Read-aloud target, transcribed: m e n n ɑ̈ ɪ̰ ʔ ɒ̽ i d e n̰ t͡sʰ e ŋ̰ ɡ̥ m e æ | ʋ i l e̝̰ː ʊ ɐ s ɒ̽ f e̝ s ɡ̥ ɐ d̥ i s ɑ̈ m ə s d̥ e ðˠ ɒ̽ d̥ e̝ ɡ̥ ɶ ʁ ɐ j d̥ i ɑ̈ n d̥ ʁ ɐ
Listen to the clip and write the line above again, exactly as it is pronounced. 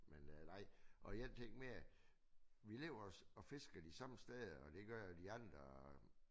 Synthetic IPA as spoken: m e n n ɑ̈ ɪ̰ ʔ ɒ̽ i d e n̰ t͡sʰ e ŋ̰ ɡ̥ m e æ | ʋ i l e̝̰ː ʊ ɐ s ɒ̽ f e̝ s ɡ̥ ɐ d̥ i s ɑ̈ m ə s d̥ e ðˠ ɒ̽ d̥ e̝ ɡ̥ ɶ ɐ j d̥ i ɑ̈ n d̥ ʁ ɐ